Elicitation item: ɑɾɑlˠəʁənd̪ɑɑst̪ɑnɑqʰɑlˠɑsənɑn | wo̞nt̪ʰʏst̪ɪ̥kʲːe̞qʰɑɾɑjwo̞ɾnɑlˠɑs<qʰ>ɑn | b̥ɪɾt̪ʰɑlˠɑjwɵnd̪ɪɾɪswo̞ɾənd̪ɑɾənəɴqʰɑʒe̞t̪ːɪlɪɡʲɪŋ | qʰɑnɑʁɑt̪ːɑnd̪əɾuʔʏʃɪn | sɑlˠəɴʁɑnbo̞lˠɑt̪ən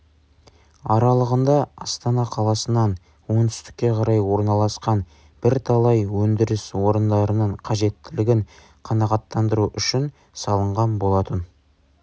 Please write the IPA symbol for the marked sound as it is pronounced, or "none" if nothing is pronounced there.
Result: q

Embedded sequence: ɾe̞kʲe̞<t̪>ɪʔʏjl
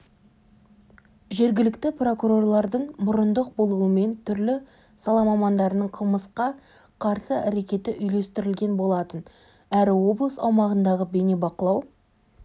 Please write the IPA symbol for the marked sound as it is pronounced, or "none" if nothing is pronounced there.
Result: t̪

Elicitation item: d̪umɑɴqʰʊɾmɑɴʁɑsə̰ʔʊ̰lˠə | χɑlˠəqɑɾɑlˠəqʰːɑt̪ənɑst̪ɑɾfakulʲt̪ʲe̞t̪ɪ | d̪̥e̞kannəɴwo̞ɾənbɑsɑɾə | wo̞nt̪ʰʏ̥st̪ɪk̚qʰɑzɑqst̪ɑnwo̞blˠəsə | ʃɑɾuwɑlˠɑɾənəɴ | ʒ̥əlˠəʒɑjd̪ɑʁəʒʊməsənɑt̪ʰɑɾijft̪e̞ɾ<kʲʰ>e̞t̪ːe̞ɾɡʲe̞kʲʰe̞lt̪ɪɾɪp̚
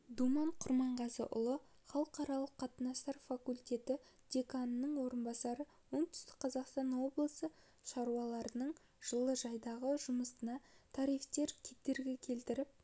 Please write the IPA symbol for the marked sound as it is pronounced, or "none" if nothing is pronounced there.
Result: kʲʰ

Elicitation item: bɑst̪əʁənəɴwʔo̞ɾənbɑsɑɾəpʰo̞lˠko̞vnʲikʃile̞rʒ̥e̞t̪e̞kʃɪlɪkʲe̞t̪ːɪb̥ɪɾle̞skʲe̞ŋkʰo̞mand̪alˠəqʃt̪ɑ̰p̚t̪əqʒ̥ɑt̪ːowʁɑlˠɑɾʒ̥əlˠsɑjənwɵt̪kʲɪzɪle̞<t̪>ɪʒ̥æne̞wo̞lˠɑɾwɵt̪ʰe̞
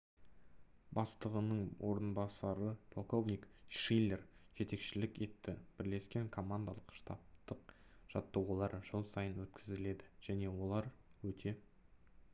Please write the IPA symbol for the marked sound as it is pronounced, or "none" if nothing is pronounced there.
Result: d̪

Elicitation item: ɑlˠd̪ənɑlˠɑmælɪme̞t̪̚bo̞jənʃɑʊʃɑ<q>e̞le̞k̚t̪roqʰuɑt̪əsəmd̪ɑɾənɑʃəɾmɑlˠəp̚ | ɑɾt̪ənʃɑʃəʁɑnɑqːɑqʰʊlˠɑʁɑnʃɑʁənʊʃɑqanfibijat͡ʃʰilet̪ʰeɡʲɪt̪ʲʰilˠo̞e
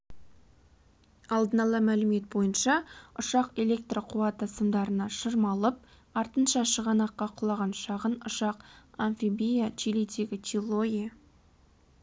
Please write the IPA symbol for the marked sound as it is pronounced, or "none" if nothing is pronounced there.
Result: q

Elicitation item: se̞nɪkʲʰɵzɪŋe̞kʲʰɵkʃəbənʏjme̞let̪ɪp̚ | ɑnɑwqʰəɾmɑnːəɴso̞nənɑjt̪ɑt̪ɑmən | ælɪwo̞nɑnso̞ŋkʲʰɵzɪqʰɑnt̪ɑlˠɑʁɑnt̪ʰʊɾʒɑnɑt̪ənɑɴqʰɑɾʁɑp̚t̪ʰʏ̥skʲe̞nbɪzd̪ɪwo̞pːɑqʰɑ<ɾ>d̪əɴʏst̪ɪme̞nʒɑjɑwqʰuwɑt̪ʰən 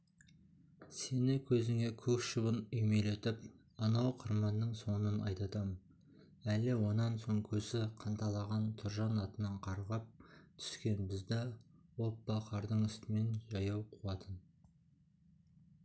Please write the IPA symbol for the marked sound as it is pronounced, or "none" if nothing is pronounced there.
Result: ɾ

